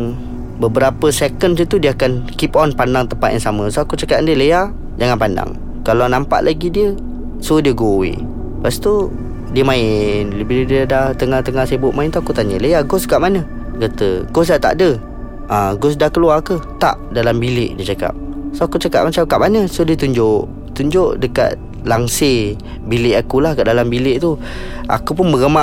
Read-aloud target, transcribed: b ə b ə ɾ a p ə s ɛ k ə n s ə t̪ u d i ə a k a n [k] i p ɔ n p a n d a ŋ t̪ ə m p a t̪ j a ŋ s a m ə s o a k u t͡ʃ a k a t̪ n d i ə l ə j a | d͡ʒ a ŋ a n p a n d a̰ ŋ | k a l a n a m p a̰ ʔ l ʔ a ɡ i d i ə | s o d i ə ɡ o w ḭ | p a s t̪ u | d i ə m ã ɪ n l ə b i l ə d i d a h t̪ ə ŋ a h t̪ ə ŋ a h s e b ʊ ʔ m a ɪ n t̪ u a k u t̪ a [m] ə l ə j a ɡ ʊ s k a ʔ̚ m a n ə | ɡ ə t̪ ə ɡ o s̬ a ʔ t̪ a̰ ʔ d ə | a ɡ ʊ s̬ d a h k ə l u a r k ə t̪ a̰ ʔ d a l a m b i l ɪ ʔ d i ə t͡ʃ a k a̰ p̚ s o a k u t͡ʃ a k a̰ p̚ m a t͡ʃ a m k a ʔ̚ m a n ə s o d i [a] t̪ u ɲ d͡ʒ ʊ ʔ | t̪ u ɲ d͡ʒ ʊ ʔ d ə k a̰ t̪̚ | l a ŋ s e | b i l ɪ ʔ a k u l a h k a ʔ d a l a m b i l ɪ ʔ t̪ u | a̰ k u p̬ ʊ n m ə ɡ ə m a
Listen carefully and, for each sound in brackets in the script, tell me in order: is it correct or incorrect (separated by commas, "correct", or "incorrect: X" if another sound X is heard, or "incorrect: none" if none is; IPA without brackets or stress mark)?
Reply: correct, incorrect: ɲ, incorrect: ə